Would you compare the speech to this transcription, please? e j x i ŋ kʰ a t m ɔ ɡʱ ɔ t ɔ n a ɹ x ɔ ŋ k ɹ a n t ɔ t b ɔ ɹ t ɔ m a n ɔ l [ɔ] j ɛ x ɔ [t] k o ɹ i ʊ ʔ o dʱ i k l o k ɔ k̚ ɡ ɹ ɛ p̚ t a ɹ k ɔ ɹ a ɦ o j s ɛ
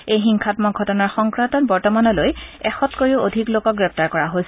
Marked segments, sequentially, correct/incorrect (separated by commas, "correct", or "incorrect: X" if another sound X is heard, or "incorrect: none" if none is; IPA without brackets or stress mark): incorrect: o, correct